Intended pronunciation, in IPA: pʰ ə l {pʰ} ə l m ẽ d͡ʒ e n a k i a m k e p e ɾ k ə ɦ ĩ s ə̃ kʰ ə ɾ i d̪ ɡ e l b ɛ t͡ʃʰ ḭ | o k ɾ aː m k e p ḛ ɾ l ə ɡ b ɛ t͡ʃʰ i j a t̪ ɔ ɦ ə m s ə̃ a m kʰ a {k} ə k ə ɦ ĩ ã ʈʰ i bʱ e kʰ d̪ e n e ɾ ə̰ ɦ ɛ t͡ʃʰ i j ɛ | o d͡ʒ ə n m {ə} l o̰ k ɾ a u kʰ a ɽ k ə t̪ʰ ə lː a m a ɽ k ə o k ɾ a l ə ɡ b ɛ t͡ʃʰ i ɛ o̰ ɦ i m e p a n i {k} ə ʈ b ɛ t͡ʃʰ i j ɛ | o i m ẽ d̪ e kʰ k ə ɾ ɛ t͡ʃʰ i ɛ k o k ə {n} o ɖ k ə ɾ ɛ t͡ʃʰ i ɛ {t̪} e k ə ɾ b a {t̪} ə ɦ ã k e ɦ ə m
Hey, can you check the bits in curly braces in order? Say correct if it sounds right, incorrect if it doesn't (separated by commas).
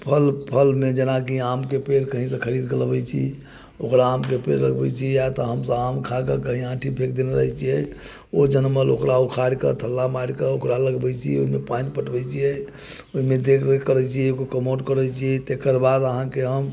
correct, correct, correct, incorrect, incorrect, correct, incorrect